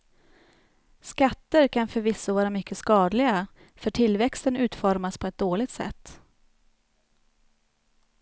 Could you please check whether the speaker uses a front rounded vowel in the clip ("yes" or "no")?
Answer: yes